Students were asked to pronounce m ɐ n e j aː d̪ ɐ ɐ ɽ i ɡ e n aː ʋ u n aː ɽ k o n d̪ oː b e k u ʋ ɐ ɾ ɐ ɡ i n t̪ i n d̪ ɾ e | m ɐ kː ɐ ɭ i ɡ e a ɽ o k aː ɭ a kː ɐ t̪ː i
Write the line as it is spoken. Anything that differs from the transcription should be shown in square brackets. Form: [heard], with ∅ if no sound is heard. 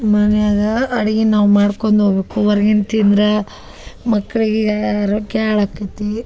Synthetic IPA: m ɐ n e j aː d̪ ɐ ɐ ɽ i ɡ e n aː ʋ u [m] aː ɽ k o n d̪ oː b e k u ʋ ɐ ɾ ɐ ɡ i n t̪ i n d̪ ɾ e | m ɐ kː ɐ ɭ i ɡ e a [ɾ] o k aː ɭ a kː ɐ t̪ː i